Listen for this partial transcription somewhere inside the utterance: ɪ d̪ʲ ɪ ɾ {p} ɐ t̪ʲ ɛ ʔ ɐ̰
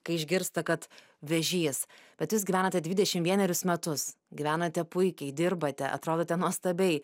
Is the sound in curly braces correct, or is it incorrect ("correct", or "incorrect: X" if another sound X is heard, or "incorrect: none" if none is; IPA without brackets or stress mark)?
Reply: incorrect: b